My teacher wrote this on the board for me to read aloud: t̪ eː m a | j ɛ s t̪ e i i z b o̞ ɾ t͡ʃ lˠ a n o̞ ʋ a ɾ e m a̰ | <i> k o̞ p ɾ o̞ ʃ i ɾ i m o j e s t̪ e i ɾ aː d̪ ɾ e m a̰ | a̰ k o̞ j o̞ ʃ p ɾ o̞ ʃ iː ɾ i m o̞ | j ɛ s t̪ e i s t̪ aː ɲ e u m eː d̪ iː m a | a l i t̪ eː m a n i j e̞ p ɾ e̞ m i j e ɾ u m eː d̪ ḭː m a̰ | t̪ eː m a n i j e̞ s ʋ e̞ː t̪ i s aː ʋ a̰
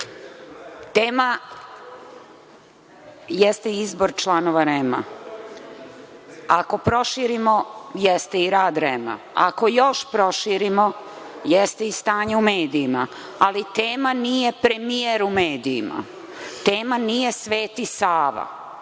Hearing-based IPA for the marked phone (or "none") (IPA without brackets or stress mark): a